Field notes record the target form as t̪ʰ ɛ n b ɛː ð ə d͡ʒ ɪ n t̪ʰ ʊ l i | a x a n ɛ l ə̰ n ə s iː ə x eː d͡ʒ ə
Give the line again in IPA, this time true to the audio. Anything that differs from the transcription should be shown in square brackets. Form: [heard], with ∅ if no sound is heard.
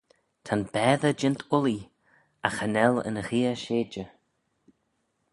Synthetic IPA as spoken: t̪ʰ [a] n b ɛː ð ə d͡ʒ ɪ n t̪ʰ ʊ l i | a x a n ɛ l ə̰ n ə [x] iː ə [ʃ] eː d͡ʒ ə